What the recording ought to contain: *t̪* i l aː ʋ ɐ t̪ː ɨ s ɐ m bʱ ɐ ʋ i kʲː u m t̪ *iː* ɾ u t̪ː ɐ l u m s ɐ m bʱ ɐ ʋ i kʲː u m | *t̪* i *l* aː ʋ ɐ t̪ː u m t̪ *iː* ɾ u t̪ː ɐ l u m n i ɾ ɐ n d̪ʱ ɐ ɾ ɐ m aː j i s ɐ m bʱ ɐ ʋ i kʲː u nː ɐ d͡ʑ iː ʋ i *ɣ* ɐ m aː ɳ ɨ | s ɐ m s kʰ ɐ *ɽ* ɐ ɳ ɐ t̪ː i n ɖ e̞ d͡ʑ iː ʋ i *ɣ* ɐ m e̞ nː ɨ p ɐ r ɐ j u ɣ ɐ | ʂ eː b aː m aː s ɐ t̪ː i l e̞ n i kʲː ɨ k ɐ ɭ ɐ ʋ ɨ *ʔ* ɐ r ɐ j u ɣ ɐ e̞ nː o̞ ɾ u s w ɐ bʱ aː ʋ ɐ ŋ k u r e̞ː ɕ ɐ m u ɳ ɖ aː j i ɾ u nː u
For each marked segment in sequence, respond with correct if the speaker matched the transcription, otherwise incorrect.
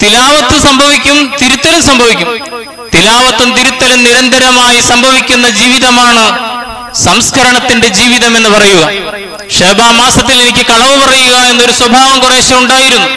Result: correct, incorrect, correct, correct, incorrect, incorrect, incorrect, incorrect, incorrect

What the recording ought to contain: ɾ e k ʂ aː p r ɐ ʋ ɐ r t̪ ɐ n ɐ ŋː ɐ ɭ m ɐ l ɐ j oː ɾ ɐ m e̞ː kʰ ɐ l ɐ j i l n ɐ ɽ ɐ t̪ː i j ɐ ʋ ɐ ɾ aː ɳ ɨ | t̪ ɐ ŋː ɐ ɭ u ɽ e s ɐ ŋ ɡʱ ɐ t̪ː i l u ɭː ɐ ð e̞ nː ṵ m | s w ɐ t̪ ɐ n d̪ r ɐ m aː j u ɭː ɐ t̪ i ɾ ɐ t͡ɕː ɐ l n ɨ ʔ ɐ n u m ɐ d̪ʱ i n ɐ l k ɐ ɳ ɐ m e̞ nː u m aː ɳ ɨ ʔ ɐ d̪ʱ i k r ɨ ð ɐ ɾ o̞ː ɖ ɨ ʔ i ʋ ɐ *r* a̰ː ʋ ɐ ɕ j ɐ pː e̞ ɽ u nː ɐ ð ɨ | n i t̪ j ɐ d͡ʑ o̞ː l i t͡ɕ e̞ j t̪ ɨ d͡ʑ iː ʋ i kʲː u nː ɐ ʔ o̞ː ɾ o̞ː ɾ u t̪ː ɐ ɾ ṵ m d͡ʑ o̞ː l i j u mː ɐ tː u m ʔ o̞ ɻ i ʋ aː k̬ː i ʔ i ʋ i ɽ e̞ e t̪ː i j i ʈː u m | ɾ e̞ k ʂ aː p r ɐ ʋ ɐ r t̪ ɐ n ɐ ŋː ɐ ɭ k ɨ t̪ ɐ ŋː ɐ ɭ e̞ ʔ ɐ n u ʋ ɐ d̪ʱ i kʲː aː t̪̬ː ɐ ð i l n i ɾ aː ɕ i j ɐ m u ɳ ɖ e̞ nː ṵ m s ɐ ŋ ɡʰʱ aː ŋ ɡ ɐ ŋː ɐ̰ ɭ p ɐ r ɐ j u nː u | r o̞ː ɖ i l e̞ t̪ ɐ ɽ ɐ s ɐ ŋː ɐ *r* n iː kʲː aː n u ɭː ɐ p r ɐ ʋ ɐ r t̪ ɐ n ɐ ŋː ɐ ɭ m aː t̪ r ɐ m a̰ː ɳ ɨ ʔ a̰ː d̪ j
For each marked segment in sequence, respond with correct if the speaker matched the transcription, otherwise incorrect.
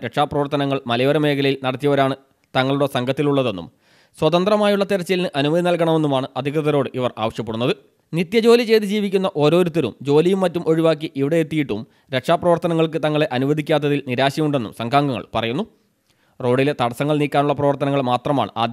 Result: correct, incorrect

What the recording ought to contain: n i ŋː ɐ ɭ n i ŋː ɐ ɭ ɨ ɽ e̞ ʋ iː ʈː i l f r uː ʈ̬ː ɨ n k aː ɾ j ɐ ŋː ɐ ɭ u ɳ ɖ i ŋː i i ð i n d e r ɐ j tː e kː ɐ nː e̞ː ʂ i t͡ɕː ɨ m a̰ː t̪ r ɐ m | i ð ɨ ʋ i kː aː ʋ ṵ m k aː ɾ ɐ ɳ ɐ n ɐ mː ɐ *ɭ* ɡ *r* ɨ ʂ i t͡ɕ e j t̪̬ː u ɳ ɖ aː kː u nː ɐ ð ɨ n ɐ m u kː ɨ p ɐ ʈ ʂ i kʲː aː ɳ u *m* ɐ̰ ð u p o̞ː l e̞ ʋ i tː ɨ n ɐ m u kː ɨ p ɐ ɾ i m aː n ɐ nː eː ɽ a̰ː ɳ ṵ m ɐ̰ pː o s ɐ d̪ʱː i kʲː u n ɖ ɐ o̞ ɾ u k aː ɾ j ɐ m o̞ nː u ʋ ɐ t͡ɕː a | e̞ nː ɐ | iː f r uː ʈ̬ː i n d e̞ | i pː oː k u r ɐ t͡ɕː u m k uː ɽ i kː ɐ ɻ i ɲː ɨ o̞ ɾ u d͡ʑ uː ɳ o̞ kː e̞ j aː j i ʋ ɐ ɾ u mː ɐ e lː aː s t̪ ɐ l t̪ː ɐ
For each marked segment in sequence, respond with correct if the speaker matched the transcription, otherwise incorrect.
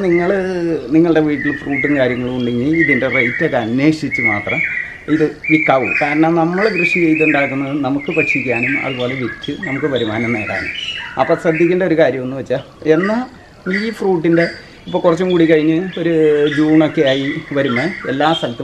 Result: correct, correct, correct

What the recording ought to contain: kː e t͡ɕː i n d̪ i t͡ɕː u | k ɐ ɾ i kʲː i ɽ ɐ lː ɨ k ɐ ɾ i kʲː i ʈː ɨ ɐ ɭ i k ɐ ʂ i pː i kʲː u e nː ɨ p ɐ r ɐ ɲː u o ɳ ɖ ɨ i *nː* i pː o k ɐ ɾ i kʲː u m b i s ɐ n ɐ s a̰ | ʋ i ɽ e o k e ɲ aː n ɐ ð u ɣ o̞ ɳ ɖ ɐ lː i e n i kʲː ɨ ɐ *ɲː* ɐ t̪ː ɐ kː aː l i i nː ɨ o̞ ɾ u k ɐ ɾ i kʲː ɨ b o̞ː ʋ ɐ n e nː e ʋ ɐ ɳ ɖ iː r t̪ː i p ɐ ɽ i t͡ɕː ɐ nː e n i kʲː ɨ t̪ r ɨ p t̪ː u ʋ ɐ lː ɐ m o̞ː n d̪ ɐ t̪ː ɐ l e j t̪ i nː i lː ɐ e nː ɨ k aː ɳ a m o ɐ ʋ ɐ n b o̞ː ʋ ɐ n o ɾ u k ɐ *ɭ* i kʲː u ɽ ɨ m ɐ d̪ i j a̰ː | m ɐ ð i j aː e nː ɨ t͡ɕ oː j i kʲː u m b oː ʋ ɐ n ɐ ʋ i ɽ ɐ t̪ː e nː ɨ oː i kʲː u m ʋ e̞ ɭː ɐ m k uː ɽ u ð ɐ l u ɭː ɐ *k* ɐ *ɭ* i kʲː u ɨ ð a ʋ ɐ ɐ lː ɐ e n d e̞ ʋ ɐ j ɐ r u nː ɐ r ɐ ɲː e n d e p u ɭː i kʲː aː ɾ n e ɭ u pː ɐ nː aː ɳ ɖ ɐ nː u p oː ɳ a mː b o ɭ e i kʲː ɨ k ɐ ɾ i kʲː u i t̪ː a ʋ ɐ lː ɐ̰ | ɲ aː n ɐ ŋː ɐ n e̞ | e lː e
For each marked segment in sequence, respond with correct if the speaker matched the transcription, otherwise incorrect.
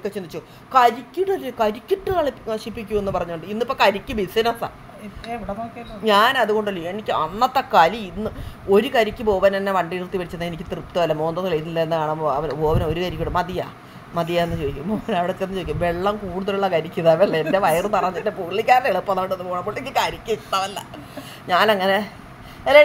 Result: correct, incorrect, incorrect, correct, incorrect

